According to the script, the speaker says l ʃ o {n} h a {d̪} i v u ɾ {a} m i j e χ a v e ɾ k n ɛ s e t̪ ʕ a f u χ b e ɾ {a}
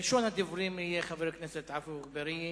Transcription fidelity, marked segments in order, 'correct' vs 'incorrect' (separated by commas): correct, correct, incorrect, incorrect